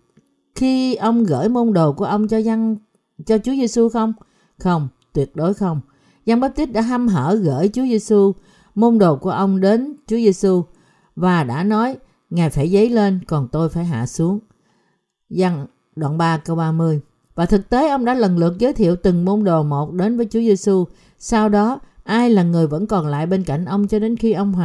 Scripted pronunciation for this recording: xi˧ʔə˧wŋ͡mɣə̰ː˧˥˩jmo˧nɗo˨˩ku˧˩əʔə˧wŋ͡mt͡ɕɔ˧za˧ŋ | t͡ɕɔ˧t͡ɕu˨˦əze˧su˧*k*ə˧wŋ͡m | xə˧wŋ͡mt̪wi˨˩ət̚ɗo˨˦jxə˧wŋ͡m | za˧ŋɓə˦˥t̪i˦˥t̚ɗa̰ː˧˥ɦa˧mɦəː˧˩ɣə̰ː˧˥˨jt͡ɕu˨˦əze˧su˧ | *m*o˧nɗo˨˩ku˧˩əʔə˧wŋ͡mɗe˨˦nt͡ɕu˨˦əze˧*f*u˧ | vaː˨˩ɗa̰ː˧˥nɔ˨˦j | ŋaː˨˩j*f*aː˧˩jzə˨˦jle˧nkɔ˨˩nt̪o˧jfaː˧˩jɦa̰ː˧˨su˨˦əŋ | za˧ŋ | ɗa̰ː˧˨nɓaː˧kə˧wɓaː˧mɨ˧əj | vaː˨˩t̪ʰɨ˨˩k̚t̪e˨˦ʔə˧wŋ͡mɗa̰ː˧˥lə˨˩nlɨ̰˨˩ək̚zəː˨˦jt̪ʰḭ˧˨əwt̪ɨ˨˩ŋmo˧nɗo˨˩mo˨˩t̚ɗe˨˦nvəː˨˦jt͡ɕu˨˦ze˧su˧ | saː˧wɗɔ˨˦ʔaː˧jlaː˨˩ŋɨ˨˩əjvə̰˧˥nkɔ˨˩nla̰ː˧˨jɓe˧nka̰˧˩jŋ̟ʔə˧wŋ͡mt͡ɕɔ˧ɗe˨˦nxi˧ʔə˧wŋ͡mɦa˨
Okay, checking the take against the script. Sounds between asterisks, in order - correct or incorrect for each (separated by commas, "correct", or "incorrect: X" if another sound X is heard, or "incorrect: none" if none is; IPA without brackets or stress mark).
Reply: incorrect: x, correct, incorrect: s, correct